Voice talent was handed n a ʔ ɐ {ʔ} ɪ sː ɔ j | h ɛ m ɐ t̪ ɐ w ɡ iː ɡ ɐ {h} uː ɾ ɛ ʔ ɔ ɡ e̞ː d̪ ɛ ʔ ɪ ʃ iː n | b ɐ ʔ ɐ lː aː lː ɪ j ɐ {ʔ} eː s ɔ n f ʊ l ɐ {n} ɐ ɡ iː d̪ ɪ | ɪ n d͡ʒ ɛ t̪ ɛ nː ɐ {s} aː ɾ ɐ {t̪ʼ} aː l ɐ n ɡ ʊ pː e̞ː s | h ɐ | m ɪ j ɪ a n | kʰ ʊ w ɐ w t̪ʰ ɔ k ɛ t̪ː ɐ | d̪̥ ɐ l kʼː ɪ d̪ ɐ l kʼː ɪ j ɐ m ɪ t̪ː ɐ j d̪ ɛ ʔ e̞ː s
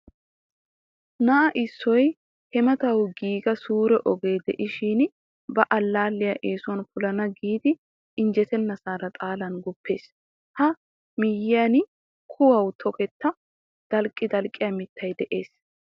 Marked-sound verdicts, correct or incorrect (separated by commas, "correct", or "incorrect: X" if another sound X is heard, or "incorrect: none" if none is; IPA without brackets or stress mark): correct, incorrect: s, correct, correct, correct, correct